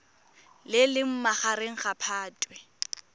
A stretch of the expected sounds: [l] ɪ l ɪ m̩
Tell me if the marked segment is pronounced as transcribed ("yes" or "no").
yes